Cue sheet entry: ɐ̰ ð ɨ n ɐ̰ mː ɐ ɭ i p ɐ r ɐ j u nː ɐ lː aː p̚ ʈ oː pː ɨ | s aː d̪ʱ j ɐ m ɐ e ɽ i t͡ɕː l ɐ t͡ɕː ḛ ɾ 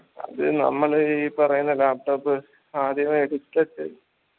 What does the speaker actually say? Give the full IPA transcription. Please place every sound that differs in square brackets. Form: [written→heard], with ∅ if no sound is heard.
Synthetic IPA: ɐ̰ ð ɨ n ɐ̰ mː ɐ ɭ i p ɐ r ɐ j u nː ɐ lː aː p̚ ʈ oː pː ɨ | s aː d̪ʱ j ɐ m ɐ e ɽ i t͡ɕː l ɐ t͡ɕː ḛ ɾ

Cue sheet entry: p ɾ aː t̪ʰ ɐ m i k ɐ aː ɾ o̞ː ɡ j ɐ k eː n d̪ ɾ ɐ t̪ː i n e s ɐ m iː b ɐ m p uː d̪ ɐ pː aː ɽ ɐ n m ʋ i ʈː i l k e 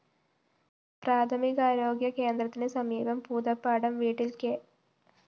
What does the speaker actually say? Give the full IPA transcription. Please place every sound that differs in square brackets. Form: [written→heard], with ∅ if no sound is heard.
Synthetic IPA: p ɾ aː t̪ʰ ɐ m i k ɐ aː ɾ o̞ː ɡ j ɐ k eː n d̪ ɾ ɐ t̪ː i n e s ɐ m iː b ɐ m p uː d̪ ɐ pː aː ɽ ɐ [n→∅] m ʋ [i→iː] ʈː i l k e

